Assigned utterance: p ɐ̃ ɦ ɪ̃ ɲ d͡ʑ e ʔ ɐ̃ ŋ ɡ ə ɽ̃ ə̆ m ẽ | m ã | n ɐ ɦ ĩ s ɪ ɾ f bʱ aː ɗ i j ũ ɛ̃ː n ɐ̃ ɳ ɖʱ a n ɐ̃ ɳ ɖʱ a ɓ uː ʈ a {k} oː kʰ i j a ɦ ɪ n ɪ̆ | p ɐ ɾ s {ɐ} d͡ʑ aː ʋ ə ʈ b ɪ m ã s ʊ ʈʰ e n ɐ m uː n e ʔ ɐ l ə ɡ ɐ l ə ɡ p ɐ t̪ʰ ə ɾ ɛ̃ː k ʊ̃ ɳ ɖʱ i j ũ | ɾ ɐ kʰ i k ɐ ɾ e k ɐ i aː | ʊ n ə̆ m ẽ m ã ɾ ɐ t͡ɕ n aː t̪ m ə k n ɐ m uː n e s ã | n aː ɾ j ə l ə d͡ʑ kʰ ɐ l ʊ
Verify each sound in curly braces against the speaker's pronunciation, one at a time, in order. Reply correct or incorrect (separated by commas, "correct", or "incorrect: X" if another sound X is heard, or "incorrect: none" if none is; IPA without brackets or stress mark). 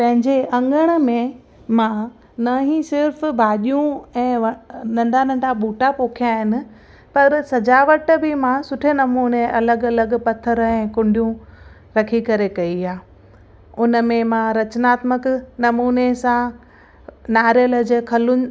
incorrect: p, correct